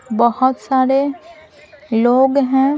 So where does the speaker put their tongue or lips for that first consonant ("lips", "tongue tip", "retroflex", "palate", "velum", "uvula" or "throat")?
lips